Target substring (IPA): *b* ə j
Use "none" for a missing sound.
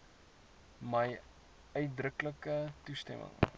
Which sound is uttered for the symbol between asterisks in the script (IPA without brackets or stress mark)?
m